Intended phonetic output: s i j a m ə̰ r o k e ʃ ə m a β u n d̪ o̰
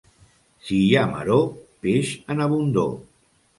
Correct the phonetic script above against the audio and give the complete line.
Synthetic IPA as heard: s i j a m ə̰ ɾ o p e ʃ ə n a β u n d̪ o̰